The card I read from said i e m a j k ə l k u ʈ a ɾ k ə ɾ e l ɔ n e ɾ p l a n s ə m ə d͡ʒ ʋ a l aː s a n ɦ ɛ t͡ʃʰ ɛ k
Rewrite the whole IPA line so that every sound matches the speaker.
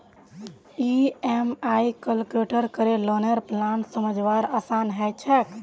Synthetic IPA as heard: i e m a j k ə l k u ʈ ə ɾ k ə ɾ e l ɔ n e ɾ p l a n s ə m ə d͡ʒ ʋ a ɾ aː s a n ɦ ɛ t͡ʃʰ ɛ k